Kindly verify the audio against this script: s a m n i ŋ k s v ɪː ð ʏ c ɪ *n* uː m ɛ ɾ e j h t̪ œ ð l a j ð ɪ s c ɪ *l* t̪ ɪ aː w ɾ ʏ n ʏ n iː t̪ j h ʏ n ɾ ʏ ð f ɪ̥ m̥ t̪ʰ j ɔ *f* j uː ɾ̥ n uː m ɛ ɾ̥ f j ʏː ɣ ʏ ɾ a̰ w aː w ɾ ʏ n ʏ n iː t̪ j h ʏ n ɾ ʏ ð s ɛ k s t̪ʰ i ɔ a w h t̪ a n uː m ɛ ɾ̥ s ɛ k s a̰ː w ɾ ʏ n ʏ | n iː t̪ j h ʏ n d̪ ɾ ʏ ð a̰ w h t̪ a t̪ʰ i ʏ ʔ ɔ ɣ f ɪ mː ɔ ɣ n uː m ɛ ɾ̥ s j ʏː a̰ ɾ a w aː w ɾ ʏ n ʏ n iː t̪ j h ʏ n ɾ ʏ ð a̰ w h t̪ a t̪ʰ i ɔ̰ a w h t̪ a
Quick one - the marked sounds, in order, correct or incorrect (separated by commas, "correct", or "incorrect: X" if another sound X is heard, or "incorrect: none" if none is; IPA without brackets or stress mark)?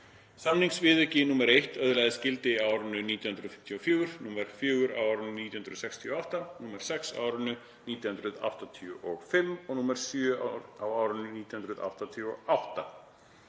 correct, correct, correct